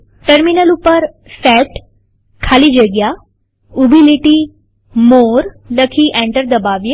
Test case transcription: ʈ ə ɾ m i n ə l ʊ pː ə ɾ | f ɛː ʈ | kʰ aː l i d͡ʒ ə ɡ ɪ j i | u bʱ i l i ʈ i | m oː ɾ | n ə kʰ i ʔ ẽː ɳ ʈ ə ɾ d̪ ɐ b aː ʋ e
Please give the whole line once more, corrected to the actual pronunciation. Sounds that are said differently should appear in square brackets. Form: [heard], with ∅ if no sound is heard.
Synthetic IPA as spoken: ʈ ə ɾ m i n ə l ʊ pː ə ɾ | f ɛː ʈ | kʰ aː l i d͡ʒ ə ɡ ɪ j [a] | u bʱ i l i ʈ i | m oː ɾ | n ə kʰ i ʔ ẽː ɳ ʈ ə ɾ d̪ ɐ b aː ʋ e